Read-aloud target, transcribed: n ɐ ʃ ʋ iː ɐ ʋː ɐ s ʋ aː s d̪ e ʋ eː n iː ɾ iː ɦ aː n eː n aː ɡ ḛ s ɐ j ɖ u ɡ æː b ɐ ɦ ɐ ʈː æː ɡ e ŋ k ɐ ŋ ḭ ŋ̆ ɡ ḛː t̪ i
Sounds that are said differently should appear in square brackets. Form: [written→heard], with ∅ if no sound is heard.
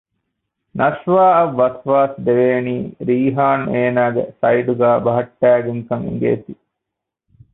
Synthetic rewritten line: n ɐ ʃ ʋ [iː→aː] ɐ ʋː ɐ s ʋ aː s d̪ e ʋ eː n iː ɾ iː ɦ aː n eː n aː ɡ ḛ s ɐ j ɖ u ɡ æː b ɐ ɦ ɐ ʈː æː ɡ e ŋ k ɐ ŋ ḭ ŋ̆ ɡ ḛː t̪ i

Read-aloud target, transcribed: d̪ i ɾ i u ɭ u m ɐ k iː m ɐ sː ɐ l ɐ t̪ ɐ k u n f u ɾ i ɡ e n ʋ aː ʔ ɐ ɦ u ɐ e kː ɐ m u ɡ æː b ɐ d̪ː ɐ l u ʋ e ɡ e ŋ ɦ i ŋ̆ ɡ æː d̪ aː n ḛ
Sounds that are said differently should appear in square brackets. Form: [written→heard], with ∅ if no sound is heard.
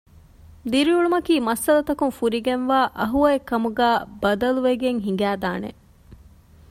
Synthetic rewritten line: d̪ i ɾ i u ɭ u m ɐ k iː m ɐ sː ɐ l ɐ t̪ ɐ k u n f u ɾ i ɡ e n ʋ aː ʔ ɐ ɦ u ɐ e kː ɐ m u ɡ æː b ɐ [d̪ː→d̪] ɐ l u ʋ e ɡ e ŋ ɦ i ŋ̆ ɡ æː d̪ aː n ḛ

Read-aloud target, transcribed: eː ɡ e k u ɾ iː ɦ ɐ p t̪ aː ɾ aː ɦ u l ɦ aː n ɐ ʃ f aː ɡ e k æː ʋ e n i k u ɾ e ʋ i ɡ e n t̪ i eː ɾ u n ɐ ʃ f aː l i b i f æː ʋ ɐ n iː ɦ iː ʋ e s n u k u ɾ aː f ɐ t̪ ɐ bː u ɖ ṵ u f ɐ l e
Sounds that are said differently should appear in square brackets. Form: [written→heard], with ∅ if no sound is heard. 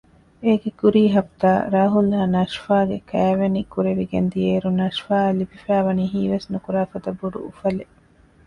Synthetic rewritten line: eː ɡ e k u ɾ iː ɦ ɐ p t̪ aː ɾ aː ɦ u l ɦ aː n ɐ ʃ f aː ɡ e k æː ʋ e n i k u ɾ e ʋ i ɡ e n [t̪→d̪] i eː ɾ u n ɐ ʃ f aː l i b i f æː ʋ ɐ n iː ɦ iː ʋ e s n u k u ɾ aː f ɐ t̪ ɐ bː u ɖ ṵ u f ɐ l e

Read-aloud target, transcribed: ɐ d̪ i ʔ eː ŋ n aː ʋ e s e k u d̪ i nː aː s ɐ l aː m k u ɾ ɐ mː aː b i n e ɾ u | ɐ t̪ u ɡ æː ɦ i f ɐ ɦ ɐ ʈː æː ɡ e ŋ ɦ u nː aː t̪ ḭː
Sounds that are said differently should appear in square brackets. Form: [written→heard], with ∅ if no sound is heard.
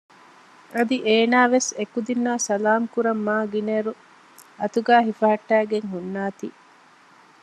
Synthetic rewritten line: ɐ d̪ i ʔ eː [ŋ→∅] n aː ʋ e s e k u d̪ i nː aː s ɐ l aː m k u ɾ ɐ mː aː [b→ɡ] i n e ɾ u | ɐ t̪ u ɡ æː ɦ i f ɐ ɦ ɐ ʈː æː ɡ e ŋ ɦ u nː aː t̪ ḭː

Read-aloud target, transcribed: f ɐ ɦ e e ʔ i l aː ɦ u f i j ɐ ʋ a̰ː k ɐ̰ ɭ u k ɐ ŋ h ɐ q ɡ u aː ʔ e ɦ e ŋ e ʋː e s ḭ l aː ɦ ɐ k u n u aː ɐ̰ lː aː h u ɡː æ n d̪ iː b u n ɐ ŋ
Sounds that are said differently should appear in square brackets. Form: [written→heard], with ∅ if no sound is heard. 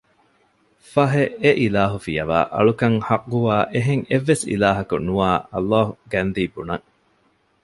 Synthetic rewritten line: f ɐ ɦ e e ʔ i l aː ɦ u f i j ɐ ʋ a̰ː [k→ʔ] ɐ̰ ɭ u k ɐ ŋ h ɐ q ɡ u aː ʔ e ɦ e ŋ e ʋː e s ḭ l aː ɦ ɐ k u n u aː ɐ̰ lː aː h u [ɡː→ɡ] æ n d̪ iː b u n ɐ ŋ

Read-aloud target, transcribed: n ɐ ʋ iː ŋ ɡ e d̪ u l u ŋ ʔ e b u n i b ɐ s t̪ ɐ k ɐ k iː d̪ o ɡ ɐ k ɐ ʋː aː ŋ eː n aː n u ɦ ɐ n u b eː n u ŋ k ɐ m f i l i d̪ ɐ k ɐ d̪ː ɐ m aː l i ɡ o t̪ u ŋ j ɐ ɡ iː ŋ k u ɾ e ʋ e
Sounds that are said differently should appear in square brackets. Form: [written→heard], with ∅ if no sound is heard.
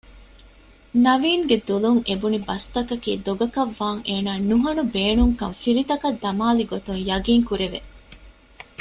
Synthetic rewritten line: n ɐ ʋ iː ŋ ɡ e d̪ u l u ŋ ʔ e b u n i b ɐ s t̪ ɐ k ɐ k iː d̪ o ɡ ɐ k ɐ ʋː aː ŋ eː n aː n u ɦ ɐ n u b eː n u ŋ k ɐ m f i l i [d̪→t̪] ɐ k ɐ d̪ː ɐ m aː l i ɡ o t̪ u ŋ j ɐ ɡ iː ŋ k u ɾ e ʋ e

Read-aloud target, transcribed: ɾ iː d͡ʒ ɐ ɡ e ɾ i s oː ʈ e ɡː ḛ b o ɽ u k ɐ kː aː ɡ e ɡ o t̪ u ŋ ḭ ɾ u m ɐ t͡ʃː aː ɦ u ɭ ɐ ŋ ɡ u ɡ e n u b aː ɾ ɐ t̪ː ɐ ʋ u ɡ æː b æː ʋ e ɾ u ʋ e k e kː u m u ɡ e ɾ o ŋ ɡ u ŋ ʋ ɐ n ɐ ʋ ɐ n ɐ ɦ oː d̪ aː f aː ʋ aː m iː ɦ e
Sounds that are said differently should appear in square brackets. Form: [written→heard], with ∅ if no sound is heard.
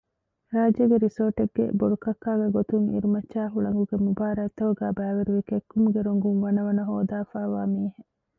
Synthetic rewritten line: ɾ [iː→aː] d͡ʒ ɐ ɡ e ɾ i s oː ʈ e ɡː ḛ b o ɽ u k ɐ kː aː ɡ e ɡ o t̪ u ŋ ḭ ɾ u m ɐ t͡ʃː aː ɦ u ɭ ɐ ŋ ɡ u ɡ e [n→m] u b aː ɾ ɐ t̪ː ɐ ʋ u ɡ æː b æː ʋ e ɾ u ʋ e k e kː u m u ɡ e ɾ o ŋ ɡ u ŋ ʋ ɐ n ɐ ʋ ɐ n ɐ ɦ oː d̪ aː f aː ʋ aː m iː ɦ e

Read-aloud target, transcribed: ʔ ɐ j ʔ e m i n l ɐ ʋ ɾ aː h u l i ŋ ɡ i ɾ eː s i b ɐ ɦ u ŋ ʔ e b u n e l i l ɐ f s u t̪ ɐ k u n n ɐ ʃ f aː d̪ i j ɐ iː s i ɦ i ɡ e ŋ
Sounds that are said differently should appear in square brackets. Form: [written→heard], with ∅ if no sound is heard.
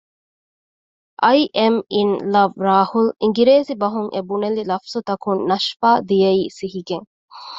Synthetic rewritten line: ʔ ɐ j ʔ e m i n l ɐ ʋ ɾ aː h u l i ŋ ɡ i ɾ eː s i b ɐ ɦ u ŋ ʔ e b u n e l i l ɐ f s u t̪ ɐ k u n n ɐ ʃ f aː d̪ i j ɐ iː s i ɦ i ɡ e ŋ

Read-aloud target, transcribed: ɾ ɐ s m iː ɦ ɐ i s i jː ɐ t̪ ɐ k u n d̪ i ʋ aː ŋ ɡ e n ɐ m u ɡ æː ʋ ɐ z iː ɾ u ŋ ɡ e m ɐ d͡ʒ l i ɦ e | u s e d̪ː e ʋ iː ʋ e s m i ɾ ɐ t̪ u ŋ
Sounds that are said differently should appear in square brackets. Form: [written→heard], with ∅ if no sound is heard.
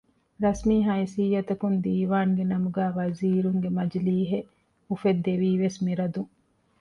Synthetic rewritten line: ɾ ɐ s m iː ɦ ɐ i s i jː ɐ t̪ ɐ k u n d̪ [i→iː] ʋ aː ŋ ɡ e n ɐ m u ɡ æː ʋ ɐ z iː ɾ u ŋ ɡ e m ɐ d͡ʒ l [i→iː] ɦ e | u [s→f] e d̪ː e ʋ iː ʋ e s m i ɾ ɐ [t̪→d̪] u ŋ

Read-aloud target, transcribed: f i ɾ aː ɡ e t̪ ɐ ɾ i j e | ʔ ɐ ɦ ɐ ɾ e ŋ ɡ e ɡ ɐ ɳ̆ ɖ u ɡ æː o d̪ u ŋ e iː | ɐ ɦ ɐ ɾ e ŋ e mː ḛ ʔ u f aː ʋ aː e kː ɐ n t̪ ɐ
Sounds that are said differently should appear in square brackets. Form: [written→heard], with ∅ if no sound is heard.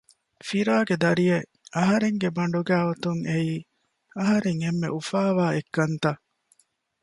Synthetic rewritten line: f i ɾ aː ɡ e [t̪→d̪] ɐ ɾ i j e | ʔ ɐ ɦ ɐ ɾ e ŋ ɡ e [ɡ→b] ɐ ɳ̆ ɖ u ɡ æː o [d̪→t̪] u ŋ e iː | ɐ ɦ ɐ ɾ e ŋ e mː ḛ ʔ u f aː ʋ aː e kː ɐ n t̪ ɐ

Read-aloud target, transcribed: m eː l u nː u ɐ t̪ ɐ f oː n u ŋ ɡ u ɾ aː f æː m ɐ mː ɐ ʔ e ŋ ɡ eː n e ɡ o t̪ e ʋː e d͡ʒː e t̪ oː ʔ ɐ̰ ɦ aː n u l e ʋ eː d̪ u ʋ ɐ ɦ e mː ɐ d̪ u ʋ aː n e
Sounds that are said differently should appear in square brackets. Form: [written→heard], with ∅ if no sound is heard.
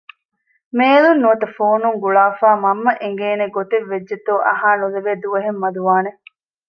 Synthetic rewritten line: m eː l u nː u ɐ t̪ ɐ f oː n u ŋ ɡ u [ɾ→ɭ] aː f [æː→aː] m ɐ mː ɐ ʔ e ŋ ɡ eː n e ɡ o t̪ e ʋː e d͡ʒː e t̪ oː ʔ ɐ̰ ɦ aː n u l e ʋ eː d̪ u ʋ ɐ ɦ e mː ɐ d̪ u ʋ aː n e

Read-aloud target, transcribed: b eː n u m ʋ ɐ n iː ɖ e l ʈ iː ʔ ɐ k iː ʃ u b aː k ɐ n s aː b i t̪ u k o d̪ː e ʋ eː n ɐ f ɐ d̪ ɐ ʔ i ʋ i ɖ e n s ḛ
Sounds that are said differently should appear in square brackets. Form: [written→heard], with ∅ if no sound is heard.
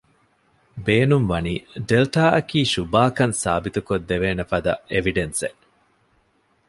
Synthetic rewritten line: b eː n u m ʋ ɐ n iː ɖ e l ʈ [iː→aː] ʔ ɐ k iː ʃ u b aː k ɐ n s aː b i t̪ u k o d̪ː e ʋ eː n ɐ f ɐ d̪ ɐ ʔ [i→e] ʋ i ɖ e n s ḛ

